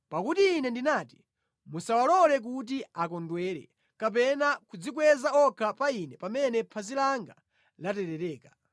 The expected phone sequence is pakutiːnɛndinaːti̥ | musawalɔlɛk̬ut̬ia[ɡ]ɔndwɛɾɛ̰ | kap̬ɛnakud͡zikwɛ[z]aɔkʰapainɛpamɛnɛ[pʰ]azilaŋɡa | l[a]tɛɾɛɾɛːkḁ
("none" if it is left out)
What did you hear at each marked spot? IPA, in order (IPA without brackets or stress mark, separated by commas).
k, z, pʰ, a